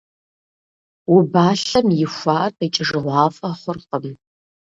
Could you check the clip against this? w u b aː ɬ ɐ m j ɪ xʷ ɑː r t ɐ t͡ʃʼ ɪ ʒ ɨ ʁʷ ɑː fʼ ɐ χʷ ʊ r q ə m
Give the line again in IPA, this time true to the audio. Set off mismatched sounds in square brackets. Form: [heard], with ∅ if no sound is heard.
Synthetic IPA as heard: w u b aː ɬ ɐ m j ɪ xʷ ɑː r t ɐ t͡ʃʼ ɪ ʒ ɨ ʁʷ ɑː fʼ ɐ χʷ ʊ r q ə m